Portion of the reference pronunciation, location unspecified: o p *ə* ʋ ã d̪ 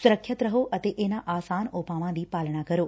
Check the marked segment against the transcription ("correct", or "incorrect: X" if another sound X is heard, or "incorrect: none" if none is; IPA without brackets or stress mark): incorrect: a